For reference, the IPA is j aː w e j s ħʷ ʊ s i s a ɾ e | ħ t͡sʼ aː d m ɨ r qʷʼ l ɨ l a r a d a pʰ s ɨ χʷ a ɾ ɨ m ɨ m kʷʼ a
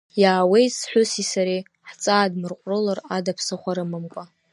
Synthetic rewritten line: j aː w e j s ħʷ ʊ s i s a ɾ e | ħ t͡sʼ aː d m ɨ r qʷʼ r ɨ l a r a d a pʰ s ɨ χʷ a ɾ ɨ m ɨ m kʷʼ a